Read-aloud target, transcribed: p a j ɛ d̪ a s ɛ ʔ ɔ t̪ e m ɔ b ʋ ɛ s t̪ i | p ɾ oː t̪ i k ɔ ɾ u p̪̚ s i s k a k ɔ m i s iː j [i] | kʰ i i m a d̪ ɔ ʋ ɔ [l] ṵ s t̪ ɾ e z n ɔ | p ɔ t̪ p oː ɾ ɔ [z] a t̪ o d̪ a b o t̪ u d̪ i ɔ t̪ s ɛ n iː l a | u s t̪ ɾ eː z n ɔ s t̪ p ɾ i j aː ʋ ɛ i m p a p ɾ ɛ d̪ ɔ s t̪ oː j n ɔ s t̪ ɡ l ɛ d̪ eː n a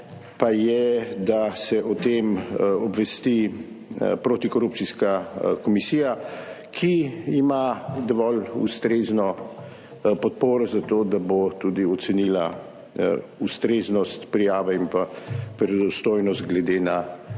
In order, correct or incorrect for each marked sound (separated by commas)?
incorrect, correct, correct